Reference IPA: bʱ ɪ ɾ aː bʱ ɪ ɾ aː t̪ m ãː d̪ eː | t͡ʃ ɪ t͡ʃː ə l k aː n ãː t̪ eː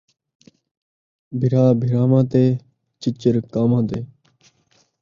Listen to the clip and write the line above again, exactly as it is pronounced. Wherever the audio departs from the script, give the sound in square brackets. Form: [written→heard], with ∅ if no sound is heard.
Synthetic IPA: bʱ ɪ ɾ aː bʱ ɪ ɾ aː [t̪→∅] m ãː [d̪→t̪] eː | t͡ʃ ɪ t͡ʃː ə [l→ɾ] k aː [n→m] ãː t̪ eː